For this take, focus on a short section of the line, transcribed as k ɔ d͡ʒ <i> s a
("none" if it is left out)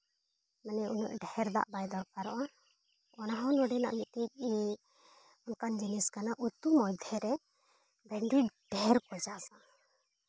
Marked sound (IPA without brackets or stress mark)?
a